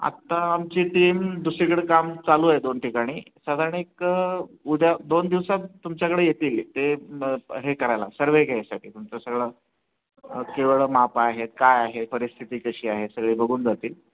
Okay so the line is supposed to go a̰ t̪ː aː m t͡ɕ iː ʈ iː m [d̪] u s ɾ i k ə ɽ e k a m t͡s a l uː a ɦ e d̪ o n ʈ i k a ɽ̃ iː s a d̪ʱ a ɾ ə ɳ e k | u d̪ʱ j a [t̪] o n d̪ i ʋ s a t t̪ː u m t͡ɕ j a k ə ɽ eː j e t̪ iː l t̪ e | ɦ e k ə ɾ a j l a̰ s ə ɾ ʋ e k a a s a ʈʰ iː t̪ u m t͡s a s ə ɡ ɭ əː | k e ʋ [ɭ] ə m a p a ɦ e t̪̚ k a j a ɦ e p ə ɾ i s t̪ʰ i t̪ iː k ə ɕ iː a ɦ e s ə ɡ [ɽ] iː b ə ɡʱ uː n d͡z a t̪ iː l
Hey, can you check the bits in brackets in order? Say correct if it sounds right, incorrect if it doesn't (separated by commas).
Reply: correct, incorrect, correct, incorrect